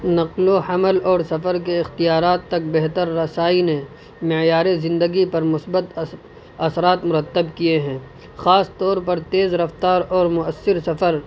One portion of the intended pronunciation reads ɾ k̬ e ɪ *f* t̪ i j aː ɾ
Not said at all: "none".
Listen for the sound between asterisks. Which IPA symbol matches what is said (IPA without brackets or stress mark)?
x